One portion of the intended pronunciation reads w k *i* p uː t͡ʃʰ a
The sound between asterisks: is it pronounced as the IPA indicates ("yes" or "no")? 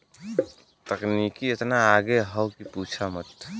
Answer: yes